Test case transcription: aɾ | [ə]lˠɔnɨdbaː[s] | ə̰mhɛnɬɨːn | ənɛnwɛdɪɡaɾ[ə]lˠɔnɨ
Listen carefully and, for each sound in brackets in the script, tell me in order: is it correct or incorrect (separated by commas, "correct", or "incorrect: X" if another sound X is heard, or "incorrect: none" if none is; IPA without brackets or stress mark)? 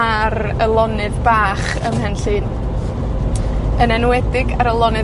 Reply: correct, incorrect: χ, correct